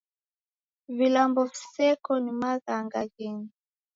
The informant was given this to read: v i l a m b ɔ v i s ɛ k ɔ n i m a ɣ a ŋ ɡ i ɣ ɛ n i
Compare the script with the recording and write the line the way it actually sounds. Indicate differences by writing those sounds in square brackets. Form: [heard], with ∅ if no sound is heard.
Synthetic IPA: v i l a m b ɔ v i s ɛ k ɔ n i m a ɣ a ŋ ɡ [a] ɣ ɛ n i